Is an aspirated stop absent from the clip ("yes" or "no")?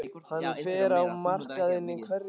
no